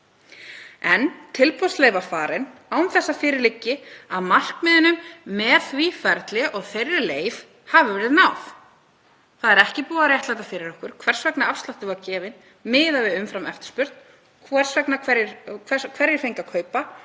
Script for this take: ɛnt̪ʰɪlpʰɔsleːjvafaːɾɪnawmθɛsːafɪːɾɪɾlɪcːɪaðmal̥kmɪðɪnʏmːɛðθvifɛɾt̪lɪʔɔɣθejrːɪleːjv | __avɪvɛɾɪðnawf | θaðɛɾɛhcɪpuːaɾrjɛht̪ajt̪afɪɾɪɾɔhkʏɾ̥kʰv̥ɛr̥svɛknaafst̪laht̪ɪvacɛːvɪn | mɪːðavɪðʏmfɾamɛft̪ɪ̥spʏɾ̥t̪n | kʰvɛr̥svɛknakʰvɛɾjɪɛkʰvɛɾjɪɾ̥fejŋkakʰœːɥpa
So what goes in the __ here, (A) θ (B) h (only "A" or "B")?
B